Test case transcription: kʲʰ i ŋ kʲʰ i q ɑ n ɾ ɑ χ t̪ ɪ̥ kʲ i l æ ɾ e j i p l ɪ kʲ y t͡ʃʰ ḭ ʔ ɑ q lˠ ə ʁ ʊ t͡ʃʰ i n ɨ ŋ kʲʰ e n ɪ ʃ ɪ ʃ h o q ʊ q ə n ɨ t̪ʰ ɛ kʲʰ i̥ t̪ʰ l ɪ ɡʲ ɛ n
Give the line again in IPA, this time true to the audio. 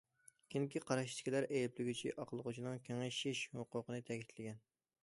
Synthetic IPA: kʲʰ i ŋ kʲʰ i q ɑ ɾ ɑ ʃ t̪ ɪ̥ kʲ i l æ ɾ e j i p l ɪ ɡʲ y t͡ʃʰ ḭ ʔ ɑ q lˠ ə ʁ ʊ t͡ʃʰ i n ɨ ŋ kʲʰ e ŋ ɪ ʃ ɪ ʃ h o q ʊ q ə n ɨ t̪ʰ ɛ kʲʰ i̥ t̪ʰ l ɪ ɡʲ ɛ n